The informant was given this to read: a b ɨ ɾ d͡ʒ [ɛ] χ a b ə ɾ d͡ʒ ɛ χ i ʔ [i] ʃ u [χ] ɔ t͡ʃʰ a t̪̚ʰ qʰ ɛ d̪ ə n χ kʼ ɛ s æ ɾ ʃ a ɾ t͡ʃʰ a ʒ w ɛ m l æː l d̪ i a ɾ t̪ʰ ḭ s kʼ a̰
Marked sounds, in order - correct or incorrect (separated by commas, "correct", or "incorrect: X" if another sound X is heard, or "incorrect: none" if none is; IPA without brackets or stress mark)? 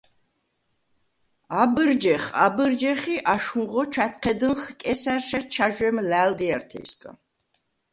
correct, incorrect: a, incorrect: ʁ